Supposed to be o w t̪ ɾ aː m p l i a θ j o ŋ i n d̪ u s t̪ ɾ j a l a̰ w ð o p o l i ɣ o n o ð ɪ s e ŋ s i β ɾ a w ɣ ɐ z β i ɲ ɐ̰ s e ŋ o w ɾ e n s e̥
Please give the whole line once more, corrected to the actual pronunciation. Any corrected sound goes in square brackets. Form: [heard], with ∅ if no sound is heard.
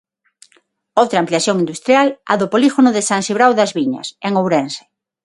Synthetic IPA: o w t̪ ɾ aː m p l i a θ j o ŋ i n d̪ u s t̪ ɾ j a l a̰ [∅] ð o p o l i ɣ o n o ð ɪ s [a] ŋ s i β ɾ a w [ð] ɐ z β i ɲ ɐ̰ s e ŋ o w ɾ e n s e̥